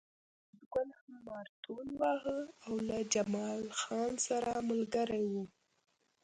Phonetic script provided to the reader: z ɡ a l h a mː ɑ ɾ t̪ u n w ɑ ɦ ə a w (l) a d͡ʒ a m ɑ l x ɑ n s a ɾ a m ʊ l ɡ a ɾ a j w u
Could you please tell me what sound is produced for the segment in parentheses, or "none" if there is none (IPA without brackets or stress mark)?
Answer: l